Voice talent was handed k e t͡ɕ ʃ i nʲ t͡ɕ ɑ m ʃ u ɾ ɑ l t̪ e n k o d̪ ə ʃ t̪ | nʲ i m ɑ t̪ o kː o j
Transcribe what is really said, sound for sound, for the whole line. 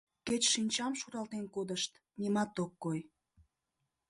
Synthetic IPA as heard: k e t͡ɕ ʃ i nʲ t͡ɕ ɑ m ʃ u ɾ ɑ l t̪ e n k o d̪ ə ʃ t̪ | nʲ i m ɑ t̪ o kː o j